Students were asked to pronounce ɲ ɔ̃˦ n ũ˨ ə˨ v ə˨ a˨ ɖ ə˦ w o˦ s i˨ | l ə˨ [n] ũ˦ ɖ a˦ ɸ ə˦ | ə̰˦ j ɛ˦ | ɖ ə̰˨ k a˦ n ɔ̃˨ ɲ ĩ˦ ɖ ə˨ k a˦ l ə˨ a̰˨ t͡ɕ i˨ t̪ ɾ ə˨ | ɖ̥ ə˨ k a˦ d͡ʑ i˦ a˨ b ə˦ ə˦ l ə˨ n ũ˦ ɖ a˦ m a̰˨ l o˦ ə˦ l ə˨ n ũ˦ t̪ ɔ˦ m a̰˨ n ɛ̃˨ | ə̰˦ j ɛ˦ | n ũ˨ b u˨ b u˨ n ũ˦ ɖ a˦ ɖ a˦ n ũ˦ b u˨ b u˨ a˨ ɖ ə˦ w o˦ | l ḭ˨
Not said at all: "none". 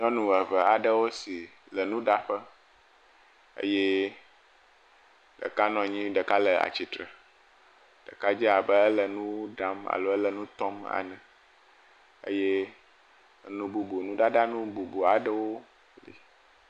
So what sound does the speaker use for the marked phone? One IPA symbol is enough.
n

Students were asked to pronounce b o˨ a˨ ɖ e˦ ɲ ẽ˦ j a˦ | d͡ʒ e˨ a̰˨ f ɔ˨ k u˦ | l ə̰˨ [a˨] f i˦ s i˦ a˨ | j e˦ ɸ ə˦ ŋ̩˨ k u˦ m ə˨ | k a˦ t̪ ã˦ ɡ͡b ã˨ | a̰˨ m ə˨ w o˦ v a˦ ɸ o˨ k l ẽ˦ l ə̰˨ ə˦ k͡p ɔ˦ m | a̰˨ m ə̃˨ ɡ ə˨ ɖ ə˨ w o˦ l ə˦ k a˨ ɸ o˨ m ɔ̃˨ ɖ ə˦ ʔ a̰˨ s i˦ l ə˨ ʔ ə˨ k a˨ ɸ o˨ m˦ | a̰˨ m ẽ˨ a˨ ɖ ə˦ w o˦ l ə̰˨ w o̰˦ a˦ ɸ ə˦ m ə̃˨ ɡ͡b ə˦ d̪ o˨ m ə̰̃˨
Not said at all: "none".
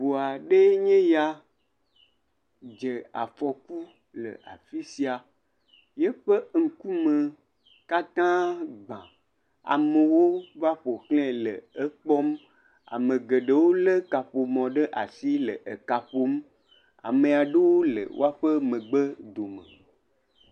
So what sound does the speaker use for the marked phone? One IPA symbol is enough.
a˨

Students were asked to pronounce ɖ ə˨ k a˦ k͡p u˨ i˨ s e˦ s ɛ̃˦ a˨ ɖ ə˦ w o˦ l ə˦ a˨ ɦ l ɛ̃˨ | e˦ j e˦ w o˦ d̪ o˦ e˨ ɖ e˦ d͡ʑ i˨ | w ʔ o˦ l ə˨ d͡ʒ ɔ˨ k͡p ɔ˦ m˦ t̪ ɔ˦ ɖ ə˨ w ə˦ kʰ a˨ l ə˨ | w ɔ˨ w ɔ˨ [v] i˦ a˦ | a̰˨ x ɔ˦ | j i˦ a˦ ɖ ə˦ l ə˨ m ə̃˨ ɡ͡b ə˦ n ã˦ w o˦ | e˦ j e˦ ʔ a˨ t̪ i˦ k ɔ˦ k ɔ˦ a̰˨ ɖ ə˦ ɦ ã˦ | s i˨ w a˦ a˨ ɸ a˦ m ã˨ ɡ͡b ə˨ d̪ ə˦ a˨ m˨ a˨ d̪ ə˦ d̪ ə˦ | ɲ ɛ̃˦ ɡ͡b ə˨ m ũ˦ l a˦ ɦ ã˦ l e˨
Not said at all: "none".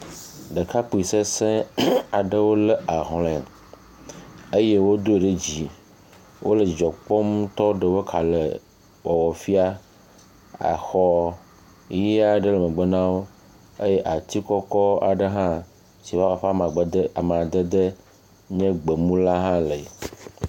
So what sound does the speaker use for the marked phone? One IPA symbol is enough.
f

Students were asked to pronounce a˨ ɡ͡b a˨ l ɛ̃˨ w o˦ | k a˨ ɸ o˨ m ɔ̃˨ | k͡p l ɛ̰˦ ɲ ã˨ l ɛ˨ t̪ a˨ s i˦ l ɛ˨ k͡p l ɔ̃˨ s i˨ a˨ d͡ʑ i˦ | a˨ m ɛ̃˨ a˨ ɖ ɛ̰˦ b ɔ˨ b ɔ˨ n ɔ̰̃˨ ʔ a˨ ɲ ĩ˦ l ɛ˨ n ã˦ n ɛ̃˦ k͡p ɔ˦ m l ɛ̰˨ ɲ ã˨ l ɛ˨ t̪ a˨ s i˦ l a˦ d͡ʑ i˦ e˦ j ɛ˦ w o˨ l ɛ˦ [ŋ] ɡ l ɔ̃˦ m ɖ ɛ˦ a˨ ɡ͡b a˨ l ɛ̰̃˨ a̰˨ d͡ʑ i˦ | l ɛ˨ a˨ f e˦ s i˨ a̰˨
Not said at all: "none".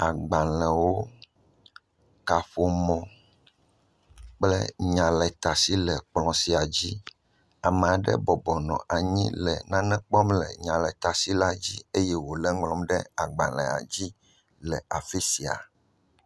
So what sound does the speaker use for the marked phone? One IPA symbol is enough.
ŋ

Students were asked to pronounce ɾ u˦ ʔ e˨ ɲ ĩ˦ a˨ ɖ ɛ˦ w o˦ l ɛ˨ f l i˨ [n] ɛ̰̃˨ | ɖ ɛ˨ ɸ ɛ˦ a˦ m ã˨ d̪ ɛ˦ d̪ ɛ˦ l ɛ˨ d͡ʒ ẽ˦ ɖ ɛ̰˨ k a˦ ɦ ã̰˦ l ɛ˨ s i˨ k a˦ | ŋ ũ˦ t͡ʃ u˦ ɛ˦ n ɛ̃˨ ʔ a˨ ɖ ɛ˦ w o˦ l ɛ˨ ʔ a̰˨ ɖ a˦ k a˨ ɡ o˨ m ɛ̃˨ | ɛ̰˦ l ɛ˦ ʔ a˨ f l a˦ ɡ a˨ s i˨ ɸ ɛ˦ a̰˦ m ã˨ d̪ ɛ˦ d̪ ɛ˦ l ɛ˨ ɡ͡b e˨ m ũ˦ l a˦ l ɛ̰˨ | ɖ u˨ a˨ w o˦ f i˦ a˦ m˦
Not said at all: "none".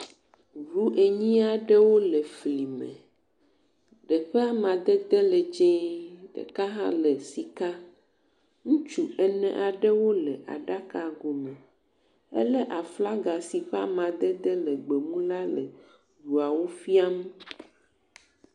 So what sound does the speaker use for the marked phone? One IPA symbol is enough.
m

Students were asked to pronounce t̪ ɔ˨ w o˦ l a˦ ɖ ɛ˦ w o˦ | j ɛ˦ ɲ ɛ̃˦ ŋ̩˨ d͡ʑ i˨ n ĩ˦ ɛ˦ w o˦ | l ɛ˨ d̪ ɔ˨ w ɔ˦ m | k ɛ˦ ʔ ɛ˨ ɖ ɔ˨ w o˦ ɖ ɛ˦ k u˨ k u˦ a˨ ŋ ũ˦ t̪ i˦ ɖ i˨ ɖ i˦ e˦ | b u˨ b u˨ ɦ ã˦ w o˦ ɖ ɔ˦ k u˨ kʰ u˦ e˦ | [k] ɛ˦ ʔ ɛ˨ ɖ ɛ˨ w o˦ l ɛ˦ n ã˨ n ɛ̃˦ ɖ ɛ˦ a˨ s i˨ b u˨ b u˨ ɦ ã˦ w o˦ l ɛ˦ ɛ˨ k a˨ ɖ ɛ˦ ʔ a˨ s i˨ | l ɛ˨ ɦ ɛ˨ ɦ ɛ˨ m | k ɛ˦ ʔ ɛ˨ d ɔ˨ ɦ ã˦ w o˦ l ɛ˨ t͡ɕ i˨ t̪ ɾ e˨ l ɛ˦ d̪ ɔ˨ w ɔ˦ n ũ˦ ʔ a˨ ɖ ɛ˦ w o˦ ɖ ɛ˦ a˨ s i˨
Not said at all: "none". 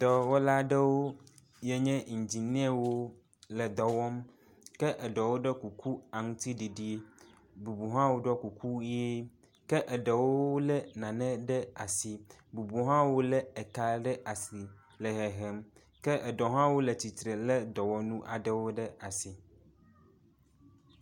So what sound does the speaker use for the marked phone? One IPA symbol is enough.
k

